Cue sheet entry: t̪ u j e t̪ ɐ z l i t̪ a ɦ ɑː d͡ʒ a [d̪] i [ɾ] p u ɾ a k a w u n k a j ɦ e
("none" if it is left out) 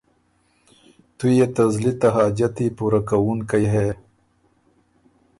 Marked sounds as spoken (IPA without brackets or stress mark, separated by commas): t̪, none